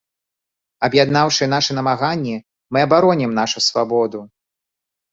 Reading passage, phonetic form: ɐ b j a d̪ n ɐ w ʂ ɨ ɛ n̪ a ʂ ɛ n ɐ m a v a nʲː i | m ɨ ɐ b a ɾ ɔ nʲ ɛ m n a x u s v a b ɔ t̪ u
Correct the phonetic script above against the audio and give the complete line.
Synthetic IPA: ɐ b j a d̪ n a w ʂ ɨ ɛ n̪ a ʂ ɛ n ɐ m a ɣ a nʲː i | m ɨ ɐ b a ɾ ɔ nʲ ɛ m n a ʂ u s v a b ɔ d̪ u

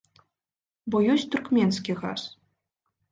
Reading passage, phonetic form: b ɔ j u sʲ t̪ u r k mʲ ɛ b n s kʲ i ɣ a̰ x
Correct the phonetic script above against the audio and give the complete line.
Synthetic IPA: b ɔ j ɔ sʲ t̪ u r k mʲ ɛ n s kʲ i ɣ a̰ s

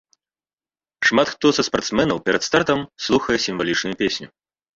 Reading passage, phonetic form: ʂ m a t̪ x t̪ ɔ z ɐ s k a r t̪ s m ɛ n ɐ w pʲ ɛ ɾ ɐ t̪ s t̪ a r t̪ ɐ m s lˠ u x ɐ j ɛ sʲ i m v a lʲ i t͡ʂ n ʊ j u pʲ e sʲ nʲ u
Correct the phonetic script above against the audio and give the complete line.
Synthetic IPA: ʂ m a t̪ x t̪ ɔ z ɐ s p a r t̪ s m ɛ n ɐ w pʲ ɛ ɾ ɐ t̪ s t̪ a r t̪ ɐ m s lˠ u x ɐ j ɛ sʲ i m v a lʲ i t͡ʂ n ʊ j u pʲ e sʲ nʲ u

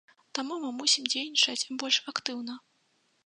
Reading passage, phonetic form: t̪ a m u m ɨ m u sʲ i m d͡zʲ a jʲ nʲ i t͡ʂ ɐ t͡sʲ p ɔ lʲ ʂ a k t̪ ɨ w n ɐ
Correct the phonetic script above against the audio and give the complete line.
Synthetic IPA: t̪ a m u m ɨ m u sʲ i m d͡zʲ e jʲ nʲ i t͡ʂ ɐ t͡sʲ b ɔ lʲ ʂ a k t̪ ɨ w n ɐ

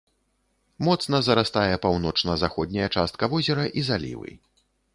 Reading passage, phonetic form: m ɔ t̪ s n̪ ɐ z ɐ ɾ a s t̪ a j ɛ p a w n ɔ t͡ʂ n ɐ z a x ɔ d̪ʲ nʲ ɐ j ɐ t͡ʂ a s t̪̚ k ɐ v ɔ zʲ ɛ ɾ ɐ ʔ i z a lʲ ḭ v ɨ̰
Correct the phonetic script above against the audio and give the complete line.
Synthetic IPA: m ɔ t̪ s n̪ ɐ z ɐ ɾ a s t̪ a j ɛ p a w n ɔ t͡ʂ n ɐ z a x ɔ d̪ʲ nʲ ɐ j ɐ t͡ʂ a s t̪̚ k ɐ v ɔ zʲ ɛ ɾ ɐ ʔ i z a lʲ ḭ v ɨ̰

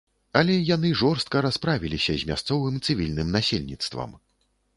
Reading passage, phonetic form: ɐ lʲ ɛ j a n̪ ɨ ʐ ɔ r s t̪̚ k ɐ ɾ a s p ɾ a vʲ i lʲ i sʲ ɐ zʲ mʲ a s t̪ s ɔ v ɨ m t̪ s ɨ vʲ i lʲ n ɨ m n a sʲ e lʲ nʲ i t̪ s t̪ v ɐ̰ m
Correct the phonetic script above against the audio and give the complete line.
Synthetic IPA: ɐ lʲ ɛ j a n̪ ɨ ʐ ɔ r s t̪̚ k ɐ ɾ a s p ɾ a vʲ i lʲ i sʲ ɐ zʲ mʲ a s t̪ s ɔ v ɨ m t̪ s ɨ vʲ i lʲ n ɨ m n a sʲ e lʲ nʲ i t̪ s t̪ v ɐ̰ m

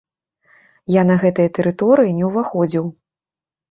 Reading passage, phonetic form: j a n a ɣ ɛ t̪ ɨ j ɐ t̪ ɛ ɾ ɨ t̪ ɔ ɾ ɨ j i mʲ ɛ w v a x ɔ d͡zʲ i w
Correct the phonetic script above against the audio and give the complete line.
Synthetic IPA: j a n ɐ ɣ ɛ t̪ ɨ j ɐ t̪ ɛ ɾ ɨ t̪ ɔ ɾ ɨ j i nʲ ɛ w v a x ɔ d͡zʲ i w

